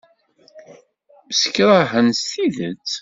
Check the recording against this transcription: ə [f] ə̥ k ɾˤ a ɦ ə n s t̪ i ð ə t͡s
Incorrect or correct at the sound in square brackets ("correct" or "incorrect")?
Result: incorrect